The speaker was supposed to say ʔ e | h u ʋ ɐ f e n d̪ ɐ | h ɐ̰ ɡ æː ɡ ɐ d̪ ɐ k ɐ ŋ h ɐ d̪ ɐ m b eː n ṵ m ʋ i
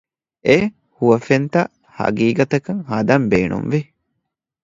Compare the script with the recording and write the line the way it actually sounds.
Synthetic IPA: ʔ e | h u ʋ ɐ f e n t̪ ɐ | h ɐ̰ ɡ iː ɡ ɐ t̪ ɐ k ɐ ŋ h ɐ d̪ ɐ m b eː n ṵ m ʋ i